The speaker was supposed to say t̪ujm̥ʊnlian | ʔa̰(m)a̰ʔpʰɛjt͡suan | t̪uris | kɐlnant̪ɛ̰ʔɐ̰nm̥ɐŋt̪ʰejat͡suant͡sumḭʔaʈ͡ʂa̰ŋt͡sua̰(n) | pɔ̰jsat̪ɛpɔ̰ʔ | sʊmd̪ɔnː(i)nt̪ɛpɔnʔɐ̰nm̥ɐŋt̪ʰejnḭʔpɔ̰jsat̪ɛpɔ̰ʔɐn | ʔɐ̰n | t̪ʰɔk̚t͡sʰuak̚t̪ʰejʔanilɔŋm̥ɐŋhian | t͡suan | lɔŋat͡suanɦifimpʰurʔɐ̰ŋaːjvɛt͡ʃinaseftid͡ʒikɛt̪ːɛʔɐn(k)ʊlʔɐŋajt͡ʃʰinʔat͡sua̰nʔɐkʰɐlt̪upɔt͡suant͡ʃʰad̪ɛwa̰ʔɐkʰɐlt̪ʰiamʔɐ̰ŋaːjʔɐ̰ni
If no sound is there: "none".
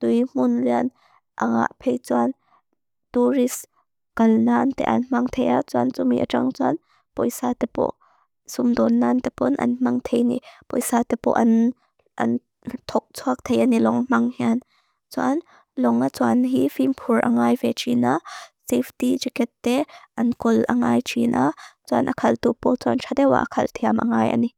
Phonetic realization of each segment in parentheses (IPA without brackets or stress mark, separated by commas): ŋ, n, a, k